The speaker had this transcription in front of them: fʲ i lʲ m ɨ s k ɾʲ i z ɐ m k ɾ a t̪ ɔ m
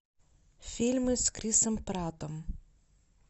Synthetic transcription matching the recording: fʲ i lʲ m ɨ s k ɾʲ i s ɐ m p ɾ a t̪ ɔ m